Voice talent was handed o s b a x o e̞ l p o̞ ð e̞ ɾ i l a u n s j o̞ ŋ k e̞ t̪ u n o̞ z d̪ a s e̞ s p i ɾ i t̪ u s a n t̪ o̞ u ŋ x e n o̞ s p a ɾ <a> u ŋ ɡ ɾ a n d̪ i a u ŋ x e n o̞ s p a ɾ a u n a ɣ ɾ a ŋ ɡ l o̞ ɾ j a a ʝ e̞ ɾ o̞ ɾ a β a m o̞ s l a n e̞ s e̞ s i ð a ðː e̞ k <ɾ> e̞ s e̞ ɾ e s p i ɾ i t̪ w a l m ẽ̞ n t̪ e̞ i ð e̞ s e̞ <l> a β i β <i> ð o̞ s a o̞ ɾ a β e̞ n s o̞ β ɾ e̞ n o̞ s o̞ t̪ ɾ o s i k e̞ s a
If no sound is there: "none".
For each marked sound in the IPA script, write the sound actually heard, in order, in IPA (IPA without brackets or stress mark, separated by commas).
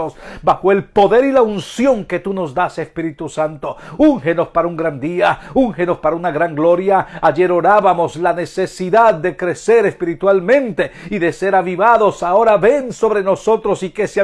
a, ɾ, ɾ, a